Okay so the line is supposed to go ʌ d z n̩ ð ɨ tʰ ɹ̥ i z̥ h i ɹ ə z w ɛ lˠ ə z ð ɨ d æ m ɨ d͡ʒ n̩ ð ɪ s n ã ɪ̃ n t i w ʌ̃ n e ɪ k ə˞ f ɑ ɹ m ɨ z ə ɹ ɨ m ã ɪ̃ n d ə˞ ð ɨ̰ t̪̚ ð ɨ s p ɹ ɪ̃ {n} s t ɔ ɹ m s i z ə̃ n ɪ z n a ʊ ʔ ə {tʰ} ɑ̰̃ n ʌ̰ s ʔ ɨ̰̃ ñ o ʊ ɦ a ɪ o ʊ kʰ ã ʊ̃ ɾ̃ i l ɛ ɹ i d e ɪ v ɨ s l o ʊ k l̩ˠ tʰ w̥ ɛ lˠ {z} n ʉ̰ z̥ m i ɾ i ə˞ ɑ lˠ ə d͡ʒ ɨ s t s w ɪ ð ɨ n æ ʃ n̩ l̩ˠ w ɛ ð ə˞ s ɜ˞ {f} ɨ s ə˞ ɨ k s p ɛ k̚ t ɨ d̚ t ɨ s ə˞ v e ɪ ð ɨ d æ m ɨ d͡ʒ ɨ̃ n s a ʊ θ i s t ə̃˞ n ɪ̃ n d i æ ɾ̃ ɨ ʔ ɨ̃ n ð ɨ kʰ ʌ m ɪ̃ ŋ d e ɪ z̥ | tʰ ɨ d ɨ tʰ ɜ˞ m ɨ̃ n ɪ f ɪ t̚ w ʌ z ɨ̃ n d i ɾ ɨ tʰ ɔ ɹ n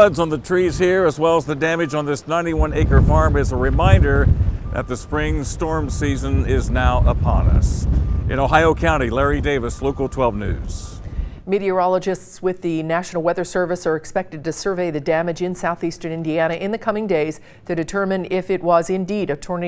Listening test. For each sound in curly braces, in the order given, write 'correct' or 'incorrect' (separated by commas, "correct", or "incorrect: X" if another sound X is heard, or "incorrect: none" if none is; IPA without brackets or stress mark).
incorrect: ŋ, incorrect: pʰ, incorrect: v, incorrect: v